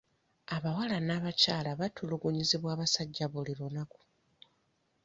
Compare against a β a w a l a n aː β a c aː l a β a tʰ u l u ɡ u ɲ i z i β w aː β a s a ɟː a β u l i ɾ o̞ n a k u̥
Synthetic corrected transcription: a β a w a l a n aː β a c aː l a β a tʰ u l u ɡ u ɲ i z i β w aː β a s a ɟː a β u l i ɾ o̞ n a k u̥